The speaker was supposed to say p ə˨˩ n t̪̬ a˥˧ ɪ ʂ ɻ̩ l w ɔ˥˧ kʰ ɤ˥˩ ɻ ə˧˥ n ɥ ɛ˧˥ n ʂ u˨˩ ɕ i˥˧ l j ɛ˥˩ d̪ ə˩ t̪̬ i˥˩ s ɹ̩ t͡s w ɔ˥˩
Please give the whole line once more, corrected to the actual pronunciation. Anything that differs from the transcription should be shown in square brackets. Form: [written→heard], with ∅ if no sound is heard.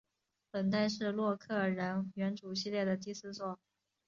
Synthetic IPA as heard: p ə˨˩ n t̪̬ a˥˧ ɪ ʂ ɻ̩ l w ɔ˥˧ kʰ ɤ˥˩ ɻ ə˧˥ n ɥ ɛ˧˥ n [ʂ→ʈ͡ʂ] u˨˩ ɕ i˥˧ l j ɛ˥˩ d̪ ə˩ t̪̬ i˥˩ s ɹ̩ t͡s w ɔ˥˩